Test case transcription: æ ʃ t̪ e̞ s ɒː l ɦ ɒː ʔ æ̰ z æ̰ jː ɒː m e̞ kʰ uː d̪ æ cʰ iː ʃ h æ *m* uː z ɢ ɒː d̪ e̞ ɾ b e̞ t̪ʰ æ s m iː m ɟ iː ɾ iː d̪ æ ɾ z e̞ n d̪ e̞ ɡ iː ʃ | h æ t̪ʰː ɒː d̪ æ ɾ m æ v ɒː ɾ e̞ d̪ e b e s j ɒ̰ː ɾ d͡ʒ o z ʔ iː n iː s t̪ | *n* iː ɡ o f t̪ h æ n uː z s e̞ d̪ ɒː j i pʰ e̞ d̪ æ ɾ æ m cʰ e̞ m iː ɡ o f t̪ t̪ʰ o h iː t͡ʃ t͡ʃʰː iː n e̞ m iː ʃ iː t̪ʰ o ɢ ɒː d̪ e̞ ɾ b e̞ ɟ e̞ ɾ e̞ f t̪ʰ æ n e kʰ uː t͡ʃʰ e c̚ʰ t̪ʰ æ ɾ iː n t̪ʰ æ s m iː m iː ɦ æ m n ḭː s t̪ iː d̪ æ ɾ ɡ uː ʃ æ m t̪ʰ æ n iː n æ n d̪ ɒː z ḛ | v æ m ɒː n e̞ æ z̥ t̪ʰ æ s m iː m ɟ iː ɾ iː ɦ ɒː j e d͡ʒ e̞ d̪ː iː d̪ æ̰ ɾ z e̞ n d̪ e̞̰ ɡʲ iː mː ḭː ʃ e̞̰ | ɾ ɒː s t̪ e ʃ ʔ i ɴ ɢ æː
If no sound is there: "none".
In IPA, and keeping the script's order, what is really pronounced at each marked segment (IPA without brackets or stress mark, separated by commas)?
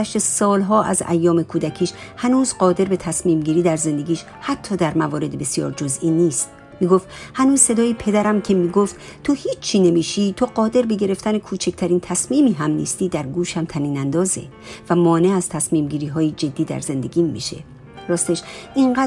n, m